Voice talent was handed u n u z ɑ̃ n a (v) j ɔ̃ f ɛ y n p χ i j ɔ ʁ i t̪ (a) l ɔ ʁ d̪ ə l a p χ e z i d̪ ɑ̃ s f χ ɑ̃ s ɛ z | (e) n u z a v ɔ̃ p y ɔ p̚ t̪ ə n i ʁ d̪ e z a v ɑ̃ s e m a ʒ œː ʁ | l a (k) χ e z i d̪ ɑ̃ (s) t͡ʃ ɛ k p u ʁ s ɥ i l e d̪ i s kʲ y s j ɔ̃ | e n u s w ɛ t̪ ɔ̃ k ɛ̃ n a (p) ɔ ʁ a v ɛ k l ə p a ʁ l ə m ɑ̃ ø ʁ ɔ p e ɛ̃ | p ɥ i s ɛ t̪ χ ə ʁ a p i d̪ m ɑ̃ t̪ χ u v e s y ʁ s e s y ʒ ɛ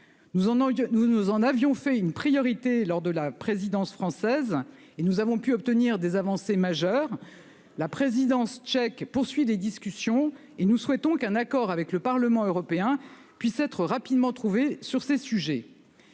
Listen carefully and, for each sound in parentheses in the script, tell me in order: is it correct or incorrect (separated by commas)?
correct, incorrect, correct, incorrect, correct, incorrect